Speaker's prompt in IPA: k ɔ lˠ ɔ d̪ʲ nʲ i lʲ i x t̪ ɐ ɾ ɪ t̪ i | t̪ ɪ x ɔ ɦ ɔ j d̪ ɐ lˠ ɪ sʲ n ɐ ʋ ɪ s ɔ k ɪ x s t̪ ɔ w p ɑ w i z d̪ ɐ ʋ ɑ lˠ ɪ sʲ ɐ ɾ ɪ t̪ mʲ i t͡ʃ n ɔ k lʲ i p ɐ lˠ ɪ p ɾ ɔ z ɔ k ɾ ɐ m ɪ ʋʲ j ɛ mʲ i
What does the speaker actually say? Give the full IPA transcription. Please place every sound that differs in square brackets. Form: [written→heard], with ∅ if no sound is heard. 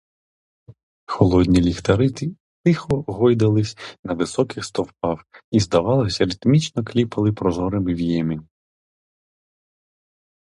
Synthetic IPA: [k→x] ɔ lˠ ɔ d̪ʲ nʲ i lʲ i x t̪ ɐ ɾ ɪ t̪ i | t̪ ɪ x ɔ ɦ ɔ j d̪ ɐ lˠ ɪ sʲ n ɐ ʋ ɪ s ɔ k ɪ x s t̪ ɔ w p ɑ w i z d̪ ɐ ʋ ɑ lˠ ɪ sʲ ɐ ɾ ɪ t̪ mʲ i t͡ʃ n ɔ k lʲ i p ɐ lˠ ɪ p ɾ ɔ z ɔ [k→∅] ɾ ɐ m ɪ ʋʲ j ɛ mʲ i